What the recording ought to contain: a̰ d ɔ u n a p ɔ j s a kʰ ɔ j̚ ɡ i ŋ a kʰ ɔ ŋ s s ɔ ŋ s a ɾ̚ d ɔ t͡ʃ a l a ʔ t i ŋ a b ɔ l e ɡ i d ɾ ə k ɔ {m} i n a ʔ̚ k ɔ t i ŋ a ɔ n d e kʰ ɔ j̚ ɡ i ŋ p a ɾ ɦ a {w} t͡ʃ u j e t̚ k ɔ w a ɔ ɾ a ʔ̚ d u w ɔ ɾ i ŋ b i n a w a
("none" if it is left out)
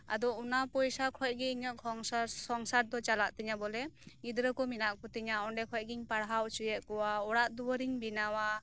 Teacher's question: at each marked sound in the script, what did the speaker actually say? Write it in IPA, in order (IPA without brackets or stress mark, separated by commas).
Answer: m, w